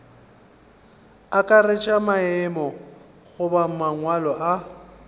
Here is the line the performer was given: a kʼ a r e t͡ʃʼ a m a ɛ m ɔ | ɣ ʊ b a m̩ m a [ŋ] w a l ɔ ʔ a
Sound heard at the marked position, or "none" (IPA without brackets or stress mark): ŋ